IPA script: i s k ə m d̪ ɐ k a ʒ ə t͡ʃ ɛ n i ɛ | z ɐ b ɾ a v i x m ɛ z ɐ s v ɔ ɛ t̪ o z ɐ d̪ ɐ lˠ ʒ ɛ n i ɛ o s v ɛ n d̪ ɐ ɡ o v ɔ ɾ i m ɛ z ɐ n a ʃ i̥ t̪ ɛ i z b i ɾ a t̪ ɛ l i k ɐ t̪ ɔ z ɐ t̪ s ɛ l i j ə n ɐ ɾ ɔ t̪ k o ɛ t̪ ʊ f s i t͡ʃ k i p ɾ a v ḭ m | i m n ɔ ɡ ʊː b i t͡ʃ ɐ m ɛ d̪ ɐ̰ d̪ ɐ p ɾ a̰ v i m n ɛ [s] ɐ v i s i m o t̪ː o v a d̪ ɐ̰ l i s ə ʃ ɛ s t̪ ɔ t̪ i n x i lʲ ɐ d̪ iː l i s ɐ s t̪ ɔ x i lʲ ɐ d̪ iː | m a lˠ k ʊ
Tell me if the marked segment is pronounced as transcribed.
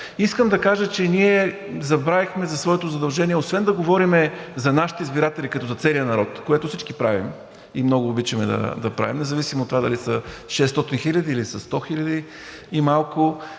no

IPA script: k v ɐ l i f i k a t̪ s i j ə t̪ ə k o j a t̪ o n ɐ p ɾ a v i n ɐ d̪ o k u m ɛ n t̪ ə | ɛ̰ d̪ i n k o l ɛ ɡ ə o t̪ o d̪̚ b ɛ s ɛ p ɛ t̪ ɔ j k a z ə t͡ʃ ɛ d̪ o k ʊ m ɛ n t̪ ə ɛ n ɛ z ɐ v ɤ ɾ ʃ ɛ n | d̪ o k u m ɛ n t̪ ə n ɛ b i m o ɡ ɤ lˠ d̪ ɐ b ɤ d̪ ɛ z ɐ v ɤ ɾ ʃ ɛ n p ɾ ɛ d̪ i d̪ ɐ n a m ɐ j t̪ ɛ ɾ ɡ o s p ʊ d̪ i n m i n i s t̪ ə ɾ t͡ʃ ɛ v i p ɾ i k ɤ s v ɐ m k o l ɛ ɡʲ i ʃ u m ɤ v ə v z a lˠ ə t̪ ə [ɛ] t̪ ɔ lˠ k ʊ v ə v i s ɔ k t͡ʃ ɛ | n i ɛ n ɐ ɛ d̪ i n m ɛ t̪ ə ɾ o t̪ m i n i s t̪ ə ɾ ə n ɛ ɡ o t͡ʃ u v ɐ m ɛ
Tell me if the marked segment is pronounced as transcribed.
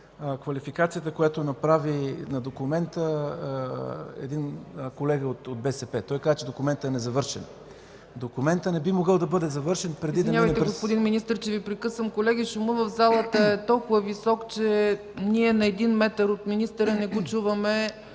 yes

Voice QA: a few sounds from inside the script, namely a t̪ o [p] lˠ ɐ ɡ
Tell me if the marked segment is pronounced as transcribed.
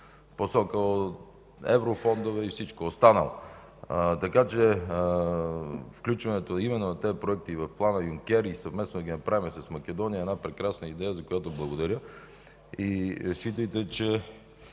no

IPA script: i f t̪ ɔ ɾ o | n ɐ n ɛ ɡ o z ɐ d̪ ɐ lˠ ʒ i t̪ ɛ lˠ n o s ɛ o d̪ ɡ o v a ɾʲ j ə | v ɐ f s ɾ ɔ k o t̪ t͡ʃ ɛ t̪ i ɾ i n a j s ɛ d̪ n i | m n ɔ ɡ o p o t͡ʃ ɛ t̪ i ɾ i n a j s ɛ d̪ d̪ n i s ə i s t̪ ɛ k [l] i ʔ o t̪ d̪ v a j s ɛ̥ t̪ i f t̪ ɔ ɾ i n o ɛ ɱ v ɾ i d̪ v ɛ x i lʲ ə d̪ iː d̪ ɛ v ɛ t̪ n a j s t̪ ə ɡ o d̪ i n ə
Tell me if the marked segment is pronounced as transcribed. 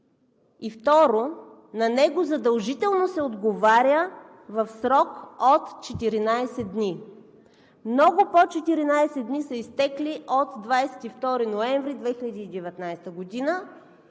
yes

